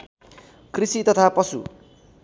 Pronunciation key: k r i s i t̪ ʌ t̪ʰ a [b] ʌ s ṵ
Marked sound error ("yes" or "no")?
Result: yes